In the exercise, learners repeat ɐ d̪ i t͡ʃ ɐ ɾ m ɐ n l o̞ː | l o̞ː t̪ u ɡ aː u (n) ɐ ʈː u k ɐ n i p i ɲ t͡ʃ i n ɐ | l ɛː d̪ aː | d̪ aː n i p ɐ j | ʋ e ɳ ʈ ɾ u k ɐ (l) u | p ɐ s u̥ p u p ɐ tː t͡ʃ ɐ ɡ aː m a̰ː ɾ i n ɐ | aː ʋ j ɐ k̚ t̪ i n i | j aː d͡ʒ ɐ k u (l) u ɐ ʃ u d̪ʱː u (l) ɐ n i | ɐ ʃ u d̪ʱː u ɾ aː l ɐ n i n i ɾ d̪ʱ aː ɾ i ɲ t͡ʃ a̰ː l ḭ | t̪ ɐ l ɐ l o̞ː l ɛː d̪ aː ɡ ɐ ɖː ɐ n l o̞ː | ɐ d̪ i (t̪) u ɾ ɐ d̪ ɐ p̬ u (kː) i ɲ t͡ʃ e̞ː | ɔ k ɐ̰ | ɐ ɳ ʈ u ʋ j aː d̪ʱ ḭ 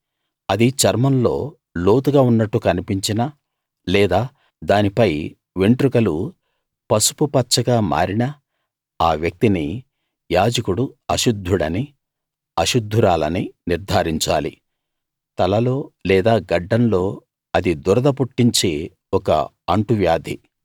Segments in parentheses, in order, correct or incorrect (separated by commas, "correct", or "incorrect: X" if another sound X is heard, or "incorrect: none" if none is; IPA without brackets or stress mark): incorrect: nː, correct, incorrect: ɽ, incorrect: ɽ, incorrect: d̪, incorrect: ʈː